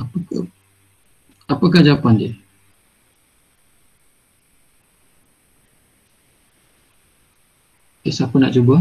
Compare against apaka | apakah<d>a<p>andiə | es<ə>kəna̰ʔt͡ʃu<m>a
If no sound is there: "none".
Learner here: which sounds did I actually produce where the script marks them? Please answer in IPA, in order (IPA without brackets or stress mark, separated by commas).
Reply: d͡ʒ, p, a, b